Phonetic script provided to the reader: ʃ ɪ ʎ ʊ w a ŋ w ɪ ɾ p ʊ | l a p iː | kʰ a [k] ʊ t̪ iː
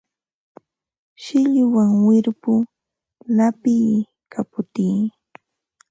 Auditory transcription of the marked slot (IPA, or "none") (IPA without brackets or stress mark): p